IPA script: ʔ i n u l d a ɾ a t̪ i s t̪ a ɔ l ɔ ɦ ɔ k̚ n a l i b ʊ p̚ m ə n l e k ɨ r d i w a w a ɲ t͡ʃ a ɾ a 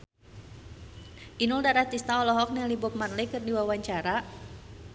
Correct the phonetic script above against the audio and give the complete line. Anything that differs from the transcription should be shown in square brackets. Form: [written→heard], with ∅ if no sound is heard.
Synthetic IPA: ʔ i n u l d a ɾ a t̪ i s t̪ a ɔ l ɔ ɦ ɔ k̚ n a l i b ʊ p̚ m [ə→a] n l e k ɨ r d i w a w a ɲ t͡ʃ a ɾ a